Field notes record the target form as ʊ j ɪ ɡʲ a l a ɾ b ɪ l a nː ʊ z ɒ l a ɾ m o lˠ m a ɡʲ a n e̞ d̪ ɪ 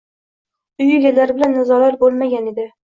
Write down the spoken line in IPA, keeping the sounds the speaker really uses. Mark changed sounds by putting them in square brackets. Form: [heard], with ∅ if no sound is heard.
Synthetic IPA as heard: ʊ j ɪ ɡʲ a l a ɾ b ɪ l a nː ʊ z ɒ l a ɾ [b] o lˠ m a ɡʲ a n e̞ d̪ ɪ